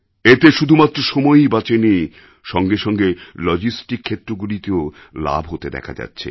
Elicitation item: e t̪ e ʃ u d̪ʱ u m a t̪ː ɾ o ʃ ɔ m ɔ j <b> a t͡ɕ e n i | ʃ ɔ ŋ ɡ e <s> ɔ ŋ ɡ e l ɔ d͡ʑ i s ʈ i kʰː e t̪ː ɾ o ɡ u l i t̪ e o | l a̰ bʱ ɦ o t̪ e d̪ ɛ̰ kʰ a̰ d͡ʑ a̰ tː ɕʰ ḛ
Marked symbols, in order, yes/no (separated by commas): yes, no